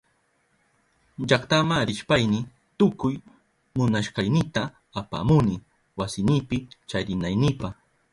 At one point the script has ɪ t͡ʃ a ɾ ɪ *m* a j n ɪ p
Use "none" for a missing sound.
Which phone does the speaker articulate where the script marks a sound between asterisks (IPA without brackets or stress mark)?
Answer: n